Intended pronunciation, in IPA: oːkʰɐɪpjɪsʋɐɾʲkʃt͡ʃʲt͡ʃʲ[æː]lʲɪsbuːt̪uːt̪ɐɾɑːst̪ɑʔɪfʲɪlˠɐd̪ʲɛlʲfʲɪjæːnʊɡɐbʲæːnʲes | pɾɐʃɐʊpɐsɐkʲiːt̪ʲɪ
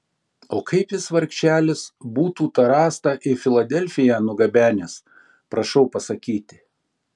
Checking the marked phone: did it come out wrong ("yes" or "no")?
no